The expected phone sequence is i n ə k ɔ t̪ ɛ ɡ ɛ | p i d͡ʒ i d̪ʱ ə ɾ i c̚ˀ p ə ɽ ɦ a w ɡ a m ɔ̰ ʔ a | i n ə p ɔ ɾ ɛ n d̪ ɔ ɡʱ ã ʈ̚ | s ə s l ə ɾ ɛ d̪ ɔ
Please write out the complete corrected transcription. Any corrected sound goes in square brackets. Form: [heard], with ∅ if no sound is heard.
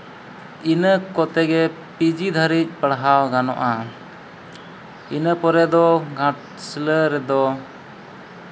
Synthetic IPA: i n ə k ɔ t̪ ɛ ɡ ɛ | p i d͡ʒ i d̪ʱ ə ɾ i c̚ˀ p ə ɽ ɦ a w ɡ a [n] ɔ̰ ʔ a | i n ə p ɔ ɾ ɛ [∅] d̪ ɔ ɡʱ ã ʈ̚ | s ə [∅] l ə ɾ ɛ d̪ ɔ